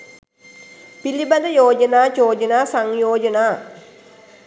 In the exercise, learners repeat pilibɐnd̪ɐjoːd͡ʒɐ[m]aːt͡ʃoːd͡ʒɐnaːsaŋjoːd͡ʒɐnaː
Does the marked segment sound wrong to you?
yes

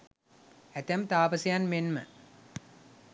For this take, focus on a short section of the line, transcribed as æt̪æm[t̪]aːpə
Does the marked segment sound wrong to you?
no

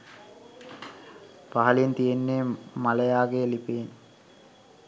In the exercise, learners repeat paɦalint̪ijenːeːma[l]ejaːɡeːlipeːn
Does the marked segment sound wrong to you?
no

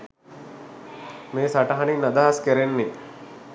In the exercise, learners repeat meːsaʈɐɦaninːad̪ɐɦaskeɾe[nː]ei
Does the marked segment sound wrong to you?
no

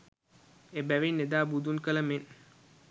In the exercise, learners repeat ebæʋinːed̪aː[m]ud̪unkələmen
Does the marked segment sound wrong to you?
yes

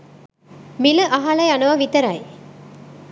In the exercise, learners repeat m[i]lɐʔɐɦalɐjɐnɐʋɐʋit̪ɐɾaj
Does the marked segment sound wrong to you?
no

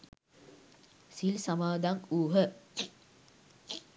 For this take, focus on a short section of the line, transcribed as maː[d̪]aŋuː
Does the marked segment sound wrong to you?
no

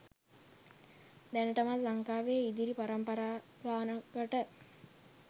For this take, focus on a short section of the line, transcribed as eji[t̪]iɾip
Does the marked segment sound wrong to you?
yes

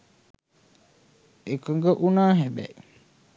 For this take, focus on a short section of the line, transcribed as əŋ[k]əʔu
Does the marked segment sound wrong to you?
yes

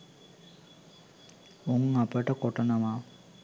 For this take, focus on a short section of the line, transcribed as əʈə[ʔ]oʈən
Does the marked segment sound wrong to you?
yes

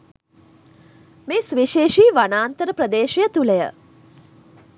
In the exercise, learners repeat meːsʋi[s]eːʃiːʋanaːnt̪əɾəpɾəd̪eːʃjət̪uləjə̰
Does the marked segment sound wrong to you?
yes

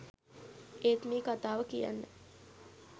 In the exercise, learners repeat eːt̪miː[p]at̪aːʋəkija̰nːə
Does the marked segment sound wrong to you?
yes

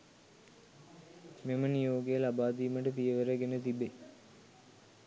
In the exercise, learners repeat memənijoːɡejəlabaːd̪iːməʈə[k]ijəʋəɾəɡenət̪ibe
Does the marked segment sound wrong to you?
yes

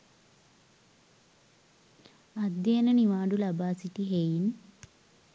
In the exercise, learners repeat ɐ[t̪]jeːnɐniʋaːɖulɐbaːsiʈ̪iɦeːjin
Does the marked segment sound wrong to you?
yes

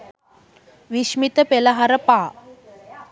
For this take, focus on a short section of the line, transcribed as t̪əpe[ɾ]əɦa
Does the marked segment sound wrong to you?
yes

